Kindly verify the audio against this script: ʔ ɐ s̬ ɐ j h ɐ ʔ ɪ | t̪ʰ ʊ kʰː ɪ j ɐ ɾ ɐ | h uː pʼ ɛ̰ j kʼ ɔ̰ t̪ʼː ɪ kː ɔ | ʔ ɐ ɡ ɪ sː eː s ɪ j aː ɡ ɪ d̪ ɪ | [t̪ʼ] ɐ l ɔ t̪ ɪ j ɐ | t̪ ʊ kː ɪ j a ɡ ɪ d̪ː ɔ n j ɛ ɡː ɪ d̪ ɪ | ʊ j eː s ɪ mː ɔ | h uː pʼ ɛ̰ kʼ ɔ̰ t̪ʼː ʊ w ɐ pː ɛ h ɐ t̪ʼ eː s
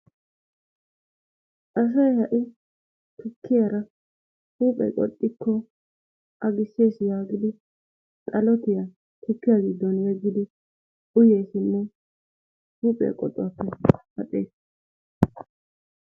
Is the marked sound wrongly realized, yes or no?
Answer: no